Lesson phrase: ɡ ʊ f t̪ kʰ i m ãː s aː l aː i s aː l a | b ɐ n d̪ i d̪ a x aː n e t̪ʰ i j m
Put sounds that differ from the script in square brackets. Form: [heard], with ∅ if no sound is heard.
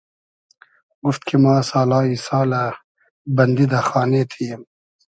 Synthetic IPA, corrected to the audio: ɡ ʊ f t̪ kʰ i m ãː s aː l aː i s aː l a | b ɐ n d̪ i d̪ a x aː n e t̪ʰ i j m